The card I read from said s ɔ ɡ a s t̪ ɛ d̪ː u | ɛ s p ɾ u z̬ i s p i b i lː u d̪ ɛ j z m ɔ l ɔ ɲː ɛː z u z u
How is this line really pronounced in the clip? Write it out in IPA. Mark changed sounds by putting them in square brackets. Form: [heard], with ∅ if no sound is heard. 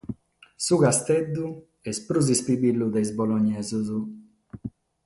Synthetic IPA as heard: s [u] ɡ a s t̪ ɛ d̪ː u | ɛ s p ɾ u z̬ i s p i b i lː u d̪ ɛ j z [b] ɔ l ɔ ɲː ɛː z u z u